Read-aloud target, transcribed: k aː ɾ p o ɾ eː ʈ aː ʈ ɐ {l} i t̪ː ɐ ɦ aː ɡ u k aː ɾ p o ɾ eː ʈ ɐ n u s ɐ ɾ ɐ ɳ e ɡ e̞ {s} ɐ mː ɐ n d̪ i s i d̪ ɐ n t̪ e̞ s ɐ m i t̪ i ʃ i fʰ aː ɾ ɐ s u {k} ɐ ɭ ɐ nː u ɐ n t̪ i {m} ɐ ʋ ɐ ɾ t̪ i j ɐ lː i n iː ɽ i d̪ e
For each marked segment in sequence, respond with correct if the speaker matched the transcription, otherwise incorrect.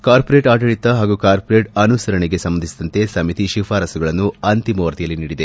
incorrect, correct, incorrect, correct

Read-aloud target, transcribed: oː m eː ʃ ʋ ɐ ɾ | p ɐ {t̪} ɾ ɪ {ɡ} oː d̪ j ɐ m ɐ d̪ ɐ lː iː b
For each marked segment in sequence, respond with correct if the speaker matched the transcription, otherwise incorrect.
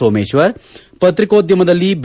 correct, incorrect

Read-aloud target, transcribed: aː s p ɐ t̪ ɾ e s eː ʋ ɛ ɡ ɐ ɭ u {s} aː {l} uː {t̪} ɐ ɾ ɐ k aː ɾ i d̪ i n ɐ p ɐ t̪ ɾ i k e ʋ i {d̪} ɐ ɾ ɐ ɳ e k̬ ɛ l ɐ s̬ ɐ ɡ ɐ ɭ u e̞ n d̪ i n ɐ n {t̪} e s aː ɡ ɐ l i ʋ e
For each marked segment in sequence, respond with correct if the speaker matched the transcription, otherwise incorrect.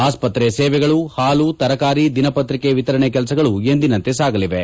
incorrect, correct, correct, incorrect, correct

